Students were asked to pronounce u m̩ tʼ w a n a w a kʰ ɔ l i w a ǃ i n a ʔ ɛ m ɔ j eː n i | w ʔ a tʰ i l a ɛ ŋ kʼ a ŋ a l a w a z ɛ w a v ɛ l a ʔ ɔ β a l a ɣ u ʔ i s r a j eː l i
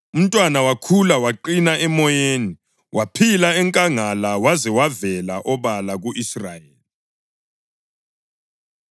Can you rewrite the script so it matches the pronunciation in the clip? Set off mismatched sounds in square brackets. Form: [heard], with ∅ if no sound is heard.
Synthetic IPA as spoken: u m̩ tʼ w a n a w a kʰ [u] l [a] w a ǃ i n a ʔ ɛ m ɔ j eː n i | w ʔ a [pʰ] i l a ɛ ŋ kʼ a ŋ a l a w a z ɛ w a v ɛ l a ʔ ɔ β a l a ɣ u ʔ i s r a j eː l i

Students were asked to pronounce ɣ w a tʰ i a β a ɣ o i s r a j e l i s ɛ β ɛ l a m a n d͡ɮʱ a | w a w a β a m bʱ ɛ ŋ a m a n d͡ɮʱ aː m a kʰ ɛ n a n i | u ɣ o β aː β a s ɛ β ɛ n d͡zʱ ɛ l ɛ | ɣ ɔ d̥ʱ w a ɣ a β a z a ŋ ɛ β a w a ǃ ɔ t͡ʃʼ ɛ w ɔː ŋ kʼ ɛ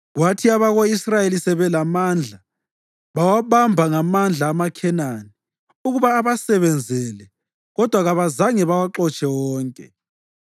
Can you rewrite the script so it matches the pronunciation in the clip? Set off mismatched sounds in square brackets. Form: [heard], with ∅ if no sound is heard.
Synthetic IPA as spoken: ɣ w a tʰ i a β a ɣ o i s r a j e l i s ɛ β ɛ l a m a n d͡ɮʱ a | [β] a w a β a m bʱ [a] ŋ a m a n d͡ɮʱ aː m a kʰ ɛ n a n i | u ɣ [u] β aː β a s ɛ β ɛ n d͡zʱ ɛ l ɛ | ɣ ɔ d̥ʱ w a ɣ a β a z a ŋ ɛ β a w a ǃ ɔ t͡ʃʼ ɛ w ɔː ŋ kʼ ɛ

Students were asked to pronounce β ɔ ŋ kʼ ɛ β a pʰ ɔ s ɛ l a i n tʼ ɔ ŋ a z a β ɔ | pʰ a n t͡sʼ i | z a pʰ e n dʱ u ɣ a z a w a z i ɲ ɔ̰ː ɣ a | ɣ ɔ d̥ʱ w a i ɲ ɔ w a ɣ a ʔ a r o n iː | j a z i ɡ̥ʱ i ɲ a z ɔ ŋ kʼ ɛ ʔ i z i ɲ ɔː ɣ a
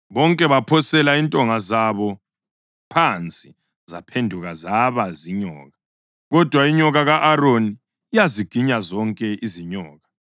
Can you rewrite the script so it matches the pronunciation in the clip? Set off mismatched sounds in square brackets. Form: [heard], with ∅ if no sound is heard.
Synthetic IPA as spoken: β ɔ ŋ kʼ ɛ β a pʰ ɔ s ɛ l a i n tʼ ɔ ŋ a z a β ɔ | pʰ a n t͡sʼ i | z a pʰ e n dʱ u ɣ a z a [β] a z i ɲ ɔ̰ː ɣ a | ɣ ɔ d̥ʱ w a i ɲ ɔ [ɣ] a ɣ a ʔ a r o n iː | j a z i ɡ̥ʱ i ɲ a z ɔ ŋ kʼ ɛ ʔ i z i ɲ ɔː ɣ a

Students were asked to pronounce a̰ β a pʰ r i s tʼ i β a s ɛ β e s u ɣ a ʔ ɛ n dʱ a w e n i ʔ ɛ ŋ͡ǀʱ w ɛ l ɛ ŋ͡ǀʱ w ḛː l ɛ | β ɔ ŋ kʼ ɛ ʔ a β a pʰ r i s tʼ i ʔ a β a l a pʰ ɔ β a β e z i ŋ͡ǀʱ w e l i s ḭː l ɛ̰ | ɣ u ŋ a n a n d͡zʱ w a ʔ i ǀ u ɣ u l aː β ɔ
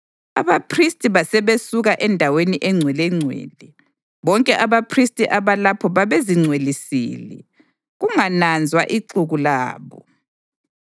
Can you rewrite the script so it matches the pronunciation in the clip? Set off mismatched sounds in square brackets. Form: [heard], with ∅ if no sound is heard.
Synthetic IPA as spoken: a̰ β a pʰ r i s tʼ i β a s ɛ β e s u ɣ a ʔ ɛ n dʱ a w e n i ʔ ɛ ŋ͡ǀʱ w ɛ l ɛ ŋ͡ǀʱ w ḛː l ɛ | β ɔ ŋ kʼ ɛ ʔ a β a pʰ r i s tʼ i ʔ a β a l a pʰ ɔ β a β e z i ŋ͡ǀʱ w e l i s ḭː l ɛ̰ | ɣ u ŋ a n a n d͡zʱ w a ʔ i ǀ u ɣ u l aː β ɔ

